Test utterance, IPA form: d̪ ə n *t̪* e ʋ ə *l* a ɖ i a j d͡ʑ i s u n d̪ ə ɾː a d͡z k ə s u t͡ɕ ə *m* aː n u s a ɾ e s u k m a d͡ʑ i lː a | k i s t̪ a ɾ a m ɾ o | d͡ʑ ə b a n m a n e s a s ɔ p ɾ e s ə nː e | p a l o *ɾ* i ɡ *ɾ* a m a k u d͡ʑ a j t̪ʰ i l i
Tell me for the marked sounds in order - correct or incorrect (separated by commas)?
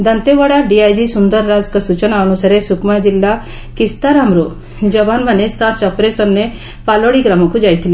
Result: correct, incorrect, incorrect, incorrect, correct